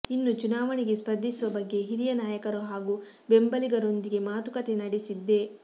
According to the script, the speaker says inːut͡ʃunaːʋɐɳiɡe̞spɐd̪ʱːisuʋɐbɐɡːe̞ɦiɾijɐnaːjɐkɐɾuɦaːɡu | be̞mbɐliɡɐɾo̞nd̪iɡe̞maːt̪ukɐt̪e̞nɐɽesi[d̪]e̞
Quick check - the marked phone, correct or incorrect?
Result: incorrect